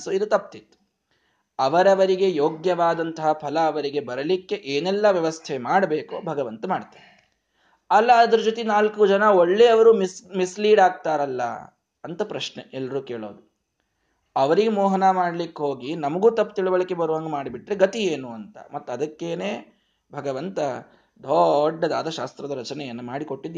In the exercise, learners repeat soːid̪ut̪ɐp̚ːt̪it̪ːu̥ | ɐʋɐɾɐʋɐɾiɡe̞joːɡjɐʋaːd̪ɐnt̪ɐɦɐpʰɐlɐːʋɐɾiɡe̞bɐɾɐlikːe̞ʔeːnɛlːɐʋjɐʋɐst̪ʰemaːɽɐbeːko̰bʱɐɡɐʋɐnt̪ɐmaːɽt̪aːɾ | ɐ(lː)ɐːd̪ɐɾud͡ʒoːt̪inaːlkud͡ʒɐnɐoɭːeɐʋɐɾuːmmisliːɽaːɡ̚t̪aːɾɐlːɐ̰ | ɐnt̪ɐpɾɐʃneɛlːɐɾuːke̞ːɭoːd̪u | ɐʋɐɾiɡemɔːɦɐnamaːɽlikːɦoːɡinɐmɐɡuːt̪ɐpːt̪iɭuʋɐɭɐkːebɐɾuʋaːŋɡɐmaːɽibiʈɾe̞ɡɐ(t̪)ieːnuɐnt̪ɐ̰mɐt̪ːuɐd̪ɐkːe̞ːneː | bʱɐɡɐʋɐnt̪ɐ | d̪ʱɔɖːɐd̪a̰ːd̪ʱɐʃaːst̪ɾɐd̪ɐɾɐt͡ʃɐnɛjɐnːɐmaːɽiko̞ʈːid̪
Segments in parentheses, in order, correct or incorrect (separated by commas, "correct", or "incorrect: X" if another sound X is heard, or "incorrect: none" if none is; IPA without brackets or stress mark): correct, correct